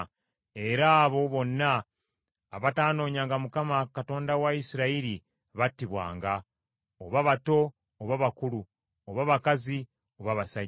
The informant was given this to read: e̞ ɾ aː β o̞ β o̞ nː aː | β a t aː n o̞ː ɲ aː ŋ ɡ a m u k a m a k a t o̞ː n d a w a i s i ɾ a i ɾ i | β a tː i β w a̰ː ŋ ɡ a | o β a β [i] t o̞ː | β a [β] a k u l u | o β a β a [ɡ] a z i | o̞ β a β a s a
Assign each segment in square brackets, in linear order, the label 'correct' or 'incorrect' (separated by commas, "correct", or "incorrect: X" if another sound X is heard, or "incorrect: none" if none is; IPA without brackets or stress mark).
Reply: incorrect: a, correct, incorrect: k